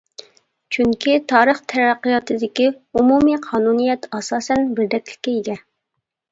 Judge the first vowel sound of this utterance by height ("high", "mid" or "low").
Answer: high